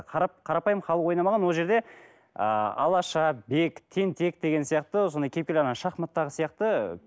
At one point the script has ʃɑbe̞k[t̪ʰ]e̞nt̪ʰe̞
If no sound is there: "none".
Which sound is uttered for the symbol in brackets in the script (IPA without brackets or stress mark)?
t̪ʰ